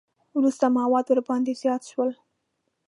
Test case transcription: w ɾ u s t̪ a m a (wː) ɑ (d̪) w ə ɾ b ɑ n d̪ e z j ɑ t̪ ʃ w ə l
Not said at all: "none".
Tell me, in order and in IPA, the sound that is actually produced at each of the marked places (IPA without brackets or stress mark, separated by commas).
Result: w, d̪